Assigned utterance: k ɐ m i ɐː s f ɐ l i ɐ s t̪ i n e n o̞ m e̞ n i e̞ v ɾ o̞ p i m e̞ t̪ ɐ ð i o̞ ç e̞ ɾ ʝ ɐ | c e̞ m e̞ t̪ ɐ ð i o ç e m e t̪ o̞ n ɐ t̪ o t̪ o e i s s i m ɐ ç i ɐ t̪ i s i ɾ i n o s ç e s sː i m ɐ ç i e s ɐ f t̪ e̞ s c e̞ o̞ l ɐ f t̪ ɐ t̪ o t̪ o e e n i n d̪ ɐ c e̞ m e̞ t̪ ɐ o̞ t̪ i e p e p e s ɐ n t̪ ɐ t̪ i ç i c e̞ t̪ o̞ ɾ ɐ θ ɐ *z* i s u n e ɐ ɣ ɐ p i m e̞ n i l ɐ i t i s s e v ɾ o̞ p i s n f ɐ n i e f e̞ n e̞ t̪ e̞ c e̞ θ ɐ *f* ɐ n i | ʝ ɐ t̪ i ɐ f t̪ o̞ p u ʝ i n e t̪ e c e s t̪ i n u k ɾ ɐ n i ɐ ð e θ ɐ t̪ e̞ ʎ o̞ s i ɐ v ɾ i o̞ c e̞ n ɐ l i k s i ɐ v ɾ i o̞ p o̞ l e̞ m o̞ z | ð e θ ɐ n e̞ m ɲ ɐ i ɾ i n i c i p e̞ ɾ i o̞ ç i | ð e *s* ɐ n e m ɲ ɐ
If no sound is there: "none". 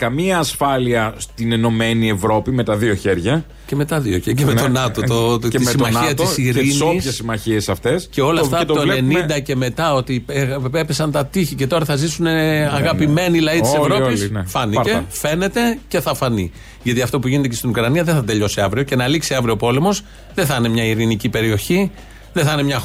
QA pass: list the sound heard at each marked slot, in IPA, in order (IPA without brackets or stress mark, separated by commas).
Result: z, f, θ